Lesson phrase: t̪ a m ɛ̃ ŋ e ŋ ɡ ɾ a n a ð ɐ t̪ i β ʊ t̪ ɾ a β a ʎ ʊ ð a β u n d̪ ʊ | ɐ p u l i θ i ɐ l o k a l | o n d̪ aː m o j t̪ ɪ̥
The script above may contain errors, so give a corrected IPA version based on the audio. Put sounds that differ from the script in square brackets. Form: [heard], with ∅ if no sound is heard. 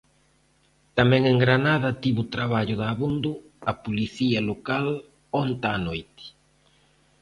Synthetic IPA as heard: t̪ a m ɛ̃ ŋ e ŋ ɡ ɾ a n a ð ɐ t̪ i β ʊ t̪ ɾ a β a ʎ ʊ ð a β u n d̪ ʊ | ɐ p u l i θ i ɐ l o k a l | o n [t̪] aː [n] o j t̪ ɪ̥